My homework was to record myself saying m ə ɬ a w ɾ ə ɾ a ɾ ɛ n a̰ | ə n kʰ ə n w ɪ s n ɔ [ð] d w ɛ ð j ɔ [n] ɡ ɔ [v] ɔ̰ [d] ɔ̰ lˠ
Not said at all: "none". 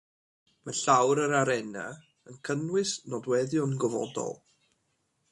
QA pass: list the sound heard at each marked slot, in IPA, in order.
none, n, v, d

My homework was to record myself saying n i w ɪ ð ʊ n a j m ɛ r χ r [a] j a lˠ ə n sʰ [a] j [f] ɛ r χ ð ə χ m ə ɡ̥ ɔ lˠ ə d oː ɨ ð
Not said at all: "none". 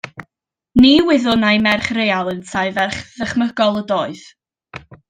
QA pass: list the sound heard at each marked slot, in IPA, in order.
e, a, v

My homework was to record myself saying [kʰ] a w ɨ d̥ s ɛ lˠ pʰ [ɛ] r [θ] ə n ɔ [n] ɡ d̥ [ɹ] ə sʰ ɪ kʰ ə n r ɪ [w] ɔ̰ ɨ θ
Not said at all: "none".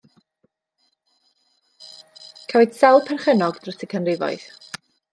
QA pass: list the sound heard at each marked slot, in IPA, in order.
kʰ, ɛ, χ, none, r, v

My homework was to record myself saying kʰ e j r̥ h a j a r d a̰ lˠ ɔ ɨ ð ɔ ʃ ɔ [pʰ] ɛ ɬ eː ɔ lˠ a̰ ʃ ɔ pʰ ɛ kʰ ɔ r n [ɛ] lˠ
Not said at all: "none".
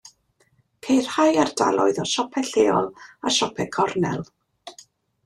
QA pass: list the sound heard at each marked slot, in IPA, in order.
pʰ, ɛ

